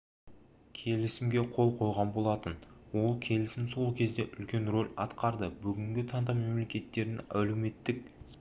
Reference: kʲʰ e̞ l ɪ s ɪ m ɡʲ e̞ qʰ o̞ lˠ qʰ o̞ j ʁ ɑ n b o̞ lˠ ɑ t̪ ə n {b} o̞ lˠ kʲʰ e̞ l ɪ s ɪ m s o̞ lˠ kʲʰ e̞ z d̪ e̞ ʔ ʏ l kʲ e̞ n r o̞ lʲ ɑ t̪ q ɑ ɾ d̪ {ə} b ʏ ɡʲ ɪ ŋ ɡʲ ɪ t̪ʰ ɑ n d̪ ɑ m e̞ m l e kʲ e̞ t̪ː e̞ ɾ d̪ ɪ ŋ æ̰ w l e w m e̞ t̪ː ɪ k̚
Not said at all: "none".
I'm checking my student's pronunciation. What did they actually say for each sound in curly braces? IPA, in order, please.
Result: w, ə

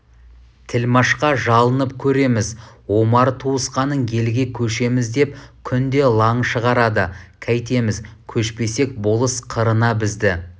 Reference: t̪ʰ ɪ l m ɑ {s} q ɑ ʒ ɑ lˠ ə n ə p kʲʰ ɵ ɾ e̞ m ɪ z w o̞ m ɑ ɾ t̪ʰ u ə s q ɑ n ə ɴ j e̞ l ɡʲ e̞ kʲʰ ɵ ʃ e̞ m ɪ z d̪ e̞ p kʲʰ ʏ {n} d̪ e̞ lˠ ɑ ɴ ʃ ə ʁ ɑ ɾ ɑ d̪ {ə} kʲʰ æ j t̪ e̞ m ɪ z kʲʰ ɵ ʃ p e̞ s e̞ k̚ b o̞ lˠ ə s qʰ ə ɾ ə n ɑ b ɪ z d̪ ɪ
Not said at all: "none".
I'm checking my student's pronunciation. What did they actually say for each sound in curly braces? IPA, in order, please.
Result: ʃ, n, ə

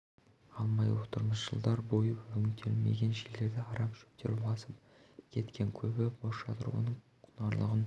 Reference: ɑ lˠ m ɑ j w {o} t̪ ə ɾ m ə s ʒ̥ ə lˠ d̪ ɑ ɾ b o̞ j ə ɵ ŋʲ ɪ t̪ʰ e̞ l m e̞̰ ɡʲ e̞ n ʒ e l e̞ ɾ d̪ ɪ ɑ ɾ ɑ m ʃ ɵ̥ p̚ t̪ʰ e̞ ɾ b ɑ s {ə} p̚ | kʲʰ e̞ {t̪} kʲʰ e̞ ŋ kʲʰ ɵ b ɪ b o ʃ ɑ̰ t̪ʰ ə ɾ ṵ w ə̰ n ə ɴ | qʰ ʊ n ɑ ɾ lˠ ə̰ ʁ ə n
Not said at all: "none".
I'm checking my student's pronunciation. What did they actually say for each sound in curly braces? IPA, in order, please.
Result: o, ə, t̪

